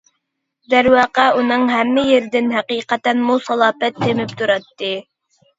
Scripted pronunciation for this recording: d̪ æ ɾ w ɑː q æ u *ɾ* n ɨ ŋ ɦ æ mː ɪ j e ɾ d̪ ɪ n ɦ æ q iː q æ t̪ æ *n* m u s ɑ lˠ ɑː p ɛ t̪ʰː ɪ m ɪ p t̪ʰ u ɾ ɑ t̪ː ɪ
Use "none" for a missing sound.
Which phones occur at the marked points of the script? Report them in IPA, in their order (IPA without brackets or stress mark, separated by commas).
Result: none, n